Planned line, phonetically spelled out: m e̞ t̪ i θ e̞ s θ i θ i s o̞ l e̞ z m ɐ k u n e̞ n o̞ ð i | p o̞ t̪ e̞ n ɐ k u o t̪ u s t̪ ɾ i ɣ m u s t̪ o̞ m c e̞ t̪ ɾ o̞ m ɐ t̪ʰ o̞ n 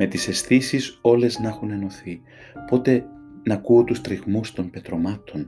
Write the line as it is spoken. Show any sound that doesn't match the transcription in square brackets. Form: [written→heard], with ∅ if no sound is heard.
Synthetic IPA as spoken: m e̞ t̪ i [θ→s] e̞ s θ i [θ→s] i s o̞ l e̞ z [m→n] ɐ [k→x] u n e̞ n o̞ [ð→θ] i | p o̞ t̪ e̞ n ɐ k u o t̪ u s t̪ ɾ i ɣ m u s t̪ o̞ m [c→p] e̞ t̪ ɾ o̞ m ɐ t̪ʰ o̞ n